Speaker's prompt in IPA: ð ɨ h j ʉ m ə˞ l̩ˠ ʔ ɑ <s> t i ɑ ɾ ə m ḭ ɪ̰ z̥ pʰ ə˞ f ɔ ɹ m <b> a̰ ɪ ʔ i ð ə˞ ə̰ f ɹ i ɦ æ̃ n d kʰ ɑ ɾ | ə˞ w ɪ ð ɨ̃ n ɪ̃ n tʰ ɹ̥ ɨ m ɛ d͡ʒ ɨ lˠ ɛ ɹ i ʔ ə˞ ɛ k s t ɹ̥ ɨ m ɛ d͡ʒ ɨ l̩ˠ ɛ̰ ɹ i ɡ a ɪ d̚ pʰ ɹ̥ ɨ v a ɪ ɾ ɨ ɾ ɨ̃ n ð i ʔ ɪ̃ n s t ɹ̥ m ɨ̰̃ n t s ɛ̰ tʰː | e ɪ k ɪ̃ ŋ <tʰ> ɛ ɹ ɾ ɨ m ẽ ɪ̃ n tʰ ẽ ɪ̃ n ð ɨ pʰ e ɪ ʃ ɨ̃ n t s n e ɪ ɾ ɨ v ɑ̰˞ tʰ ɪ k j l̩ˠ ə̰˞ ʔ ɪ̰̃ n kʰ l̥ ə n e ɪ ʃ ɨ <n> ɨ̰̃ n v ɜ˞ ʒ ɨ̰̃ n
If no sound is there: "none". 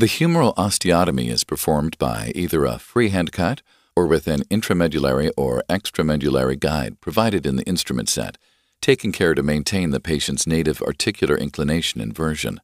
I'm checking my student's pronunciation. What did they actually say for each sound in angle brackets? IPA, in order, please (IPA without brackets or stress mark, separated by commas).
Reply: s, b, kʰ, n